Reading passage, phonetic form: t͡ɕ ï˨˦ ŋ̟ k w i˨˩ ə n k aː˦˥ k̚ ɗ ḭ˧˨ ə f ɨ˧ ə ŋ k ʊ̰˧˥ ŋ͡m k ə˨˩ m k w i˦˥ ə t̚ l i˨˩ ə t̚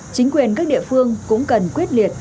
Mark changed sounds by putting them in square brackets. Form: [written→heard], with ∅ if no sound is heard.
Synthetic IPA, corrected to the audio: t͡ɕ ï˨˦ ŋ̟ k w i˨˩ ə n k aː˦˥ k̚ ɗ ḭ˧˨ ə f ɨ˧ ə ŋ k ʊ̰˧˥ ŋ͡m k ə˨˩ [m→n] k w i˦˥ ə t̚ l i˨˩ ə t̚